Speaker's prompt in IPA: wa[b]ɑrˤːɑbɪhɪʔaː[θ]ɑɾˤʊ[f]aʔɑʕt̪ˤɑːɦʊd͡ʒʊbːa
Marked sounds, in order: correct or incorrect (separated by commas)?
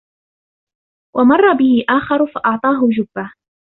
incorrect, incorrect, correct